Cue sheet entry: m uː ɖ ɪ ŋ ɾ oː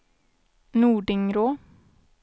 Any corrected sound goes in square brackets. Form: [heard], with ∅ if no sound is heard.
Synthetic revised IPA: [n] uː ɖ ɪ ŋ ɾ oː